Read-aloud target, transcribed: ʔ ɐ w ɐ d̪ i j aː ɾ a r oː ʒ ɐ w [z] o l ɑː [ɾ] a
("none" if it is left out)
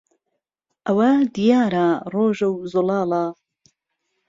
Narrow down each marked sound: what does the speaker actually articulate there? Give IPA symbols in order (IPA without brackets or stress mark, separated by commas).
z, l